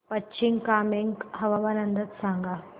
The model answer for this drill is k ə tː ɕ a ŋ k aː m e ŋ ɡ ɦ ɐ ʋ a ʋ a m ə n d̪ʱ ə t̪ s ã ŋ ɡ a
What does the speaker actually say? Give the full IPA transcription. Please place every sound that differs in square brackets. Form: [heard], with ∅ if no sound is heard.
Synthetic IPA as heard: [p] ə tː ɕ [i] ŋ k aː m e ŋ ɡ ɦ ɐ ʋ a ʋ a [n] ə n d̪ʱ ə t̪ s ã ŋ ɡ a